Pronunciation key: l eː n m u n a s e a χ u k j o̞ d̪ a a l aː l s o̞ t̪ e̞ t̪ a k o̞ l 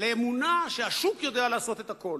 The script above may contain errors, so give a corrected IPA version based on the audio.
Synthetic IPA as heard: l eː m u n a ʃ e a ʃ u k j o̞ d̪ e a l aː s o̞ t̪ e̞ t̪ a k o̞ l